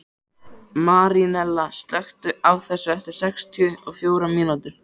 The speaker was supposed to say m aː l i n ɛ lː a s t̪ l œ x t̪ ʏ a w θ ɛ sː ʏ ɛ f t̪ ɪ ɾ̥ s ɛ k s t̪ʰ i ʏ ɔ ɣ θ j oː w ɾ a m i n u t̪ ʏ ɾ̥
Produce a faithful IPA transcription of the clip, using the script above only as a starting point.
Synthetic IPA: m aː ɾ i n ɛ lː a s t̪ l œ x t̪ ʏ a w θ ɛ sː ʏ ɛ f t̪ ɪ ɾ̥ s ɛ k s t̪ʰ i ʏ ɔ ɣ f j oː w ɾ a m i n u t̪ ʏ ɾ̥